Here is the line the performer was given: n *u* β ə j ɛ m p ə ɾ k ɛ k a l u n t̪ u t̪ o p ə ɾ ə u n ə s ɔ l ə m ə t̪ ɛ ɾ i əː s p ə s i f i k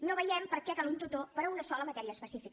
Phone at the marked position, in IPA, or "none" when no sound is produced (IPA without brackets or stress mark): o